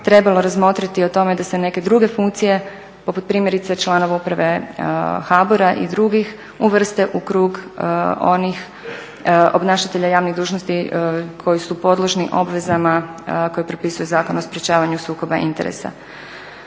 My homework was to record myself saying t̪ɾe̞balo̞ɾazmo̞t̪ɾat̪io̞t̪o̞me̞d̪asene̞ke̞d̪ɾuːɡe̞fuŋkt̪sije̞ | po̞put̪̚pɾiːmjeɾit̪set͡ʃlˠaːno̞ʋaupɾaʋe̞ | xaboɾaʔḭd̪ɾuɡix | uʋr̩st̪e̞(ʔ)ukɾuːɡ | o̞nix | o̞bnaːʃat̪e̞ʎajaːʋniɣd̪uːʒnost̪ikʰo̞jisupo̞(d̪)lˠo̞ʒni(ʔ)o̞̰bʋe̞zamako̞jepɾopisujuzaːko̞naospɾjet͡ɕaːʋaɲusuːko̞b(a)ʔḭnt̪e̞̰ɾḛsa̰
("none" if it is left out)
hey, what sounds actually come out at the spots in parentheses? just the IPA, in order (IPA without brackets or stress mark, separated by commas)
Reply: ʔ, d̪, ʔ, a